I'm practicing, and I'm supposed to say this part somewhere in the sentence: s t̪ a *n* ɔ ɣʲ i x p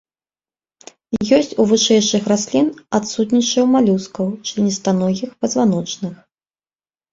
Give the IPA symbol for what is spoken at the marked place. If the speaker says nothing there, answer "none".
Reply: n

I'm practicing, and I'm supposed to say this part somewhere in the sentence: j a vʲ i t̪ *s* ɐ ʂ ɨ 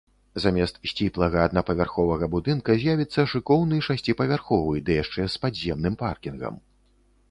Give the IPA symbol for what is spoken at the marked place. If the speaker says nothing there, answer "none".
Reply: sː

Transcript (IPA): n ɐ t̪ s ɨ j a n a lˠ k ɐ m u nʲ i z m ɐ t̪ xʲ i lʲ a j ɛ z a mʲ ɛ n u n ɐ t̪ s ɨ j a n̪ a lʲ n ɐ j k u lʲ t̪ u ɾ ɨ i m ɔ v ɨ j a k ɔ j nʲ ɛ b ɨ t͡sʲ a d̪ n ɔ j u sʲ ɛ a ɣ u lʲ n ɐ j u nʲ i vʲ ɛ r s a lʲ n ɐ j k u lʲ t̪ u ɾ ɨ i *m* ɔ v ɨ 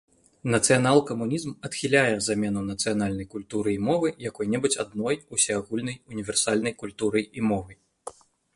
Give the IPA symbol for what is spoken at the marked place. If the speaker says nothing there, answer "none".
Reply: m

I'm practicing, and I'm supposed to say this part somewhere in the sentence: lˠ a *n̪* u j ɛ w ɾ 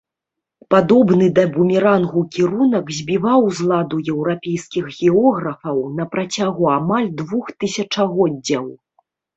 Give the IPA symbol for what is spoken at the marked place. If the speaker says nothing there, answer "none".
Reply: d̪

